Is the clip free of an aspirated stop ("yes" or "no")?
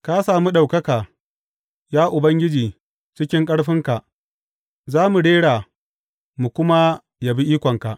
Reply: yes